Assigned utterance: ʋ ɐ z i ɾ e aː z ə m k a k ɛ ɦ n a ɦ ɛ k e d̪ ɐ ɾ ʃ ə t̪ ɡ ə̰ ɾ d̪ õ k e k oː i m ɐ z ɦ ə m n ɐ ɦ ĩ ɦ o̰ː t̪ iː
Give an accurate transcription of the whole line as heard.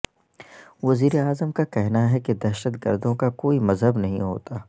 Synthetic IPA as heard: ʋ ɐ z iː ɾ e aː z ə m k a k ɛ ɦ n a ɦ ɛ k e d̪ ɐ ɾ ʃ ə t̪ ɡ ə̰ ɾ d̪ õ k a k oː i m ɐ z ɦ ə b n ɐ ɦ ĩ ɦ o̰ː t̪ aː